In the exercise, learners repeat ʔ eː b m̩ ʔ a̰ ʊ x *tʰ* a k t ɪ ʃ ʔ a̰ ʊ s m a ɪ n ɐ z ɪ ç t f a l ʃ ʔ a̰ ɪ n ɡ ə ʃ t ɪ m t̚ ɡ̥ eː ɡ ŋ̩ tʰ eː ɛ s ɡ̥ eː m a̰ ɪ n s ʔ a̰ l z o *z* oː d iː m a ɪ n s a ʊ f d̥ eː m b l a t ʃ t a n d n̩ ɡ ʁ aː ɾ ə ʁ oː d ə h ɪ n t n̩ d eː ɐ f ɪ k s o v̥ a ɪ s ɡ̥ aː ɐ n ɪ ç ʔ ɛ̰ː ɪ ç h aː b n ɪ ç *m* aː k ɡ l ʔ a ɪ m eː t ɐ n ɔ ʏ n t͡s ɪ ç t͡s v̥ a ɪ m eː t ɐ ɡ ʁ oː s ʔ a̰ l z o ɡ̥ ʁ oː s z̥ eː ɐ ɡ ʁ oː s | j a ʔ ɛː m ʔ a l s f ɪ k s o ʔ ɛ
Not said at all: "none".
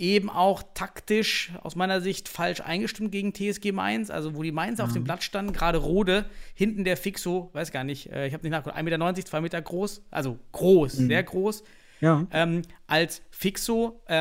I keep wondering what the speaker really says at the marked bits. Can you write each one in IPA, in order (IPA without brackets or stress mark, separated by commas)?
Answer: tʰ, v, n